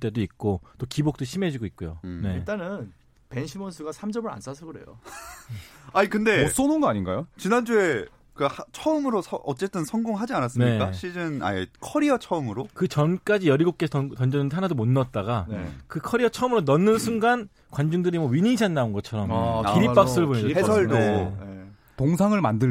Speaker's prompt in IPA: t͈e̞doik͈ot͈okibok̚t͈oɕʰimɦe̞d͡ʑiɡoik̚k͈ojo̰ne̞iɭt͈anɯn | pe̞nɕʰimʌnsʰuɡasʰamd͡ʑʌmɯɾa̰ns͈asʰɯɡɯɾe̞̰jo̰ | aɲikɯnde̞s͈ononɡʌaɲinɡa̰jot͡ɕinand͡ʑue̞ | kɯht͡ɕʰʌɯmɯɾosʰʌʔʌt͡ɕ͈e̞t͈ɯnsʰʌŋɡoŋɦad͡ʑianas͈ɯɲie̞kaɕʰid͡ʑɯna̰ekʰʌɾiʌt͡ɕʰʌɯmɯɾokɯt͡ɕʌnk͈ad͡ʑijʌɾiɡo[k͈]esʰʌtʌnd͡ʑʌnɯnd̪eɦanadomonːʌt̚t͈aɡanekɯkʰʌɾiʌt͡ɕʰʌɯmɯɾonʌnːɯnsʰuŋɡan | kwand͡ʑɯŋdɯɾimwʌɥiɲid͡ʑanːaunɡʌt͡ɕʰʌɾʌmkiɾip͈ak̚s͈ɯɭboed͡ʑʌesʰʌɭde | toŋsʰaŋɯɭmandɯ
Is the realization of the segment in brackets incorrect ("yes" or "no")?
no